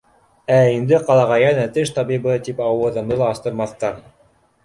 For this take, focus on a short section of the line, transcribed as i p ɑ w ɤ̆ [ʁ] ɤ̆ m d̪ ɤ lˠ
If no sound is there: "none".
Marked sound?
ð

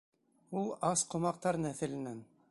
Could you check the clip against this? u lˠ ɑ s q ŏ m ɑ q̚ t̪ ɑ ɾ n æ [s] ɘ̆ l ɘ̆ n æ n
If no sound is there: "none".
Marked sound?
θ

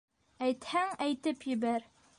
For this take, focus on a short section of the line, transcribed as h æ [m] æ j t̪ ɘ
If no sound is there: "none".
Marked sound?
ŋ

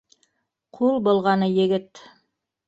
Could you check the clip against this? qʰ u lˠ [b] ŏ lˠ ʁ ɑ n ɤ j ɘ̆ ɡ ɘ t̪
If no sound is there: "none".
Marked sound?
b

